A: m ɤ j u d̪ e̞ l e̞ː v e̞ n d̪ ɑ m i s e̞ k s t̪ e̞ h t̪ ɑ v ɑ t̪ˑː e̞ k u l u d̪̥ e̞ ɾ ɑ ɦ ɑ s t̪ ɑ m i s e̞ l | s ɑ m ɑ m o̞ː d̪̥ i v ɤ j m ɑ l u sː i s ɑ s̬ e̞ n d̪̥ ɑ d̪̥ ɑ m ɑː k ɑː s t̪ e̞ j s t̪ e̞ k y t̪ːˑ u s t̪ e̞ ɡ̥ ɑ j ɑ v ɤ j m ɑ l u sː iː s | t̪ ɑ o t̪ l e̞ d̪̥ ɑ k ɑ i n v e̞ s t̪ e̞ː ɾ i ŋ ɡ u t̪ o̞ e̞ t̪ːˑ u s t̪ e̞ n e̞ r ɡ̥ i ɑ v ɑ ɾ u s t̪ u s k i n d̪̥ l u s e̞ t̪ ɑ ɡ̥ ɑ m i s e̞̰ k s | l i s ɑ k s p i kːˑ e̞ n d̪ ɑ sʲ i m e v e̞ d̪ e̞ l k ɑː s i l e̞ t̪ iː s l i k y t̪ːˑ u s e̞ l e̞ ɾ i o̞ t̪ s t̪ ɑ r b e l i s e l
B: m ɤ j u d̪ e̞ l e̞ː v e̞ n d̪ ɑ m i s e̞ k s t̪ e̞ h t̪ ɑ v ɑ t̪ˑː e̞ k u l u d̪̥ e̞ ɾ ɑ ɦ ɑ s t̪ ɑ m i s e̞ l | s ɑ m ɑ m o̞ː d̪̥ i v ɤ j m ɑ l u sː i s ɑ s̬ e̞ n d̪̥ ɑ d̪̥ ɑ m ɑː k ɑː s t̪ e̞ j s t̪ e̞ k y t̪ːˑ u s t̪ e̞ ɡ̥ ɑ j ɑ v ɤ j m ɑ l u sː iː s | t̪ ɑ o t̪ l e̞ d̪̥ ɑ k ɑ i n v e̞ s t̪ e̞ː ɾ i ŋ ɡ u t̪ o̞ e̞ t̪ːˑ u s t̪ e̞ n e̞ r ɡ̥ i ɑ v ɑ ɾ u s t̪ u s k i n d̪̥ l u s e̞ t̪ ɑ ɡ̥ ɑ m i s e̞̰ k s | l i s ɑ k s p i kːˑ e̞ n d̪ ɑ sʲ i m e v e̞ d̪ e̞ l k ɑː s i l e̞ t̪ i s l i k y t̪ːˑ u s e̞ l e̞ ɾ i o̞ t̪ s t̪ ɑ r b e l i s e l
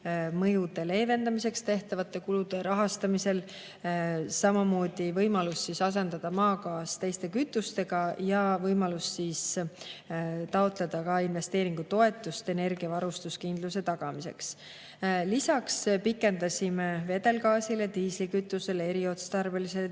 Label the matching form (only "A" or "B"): A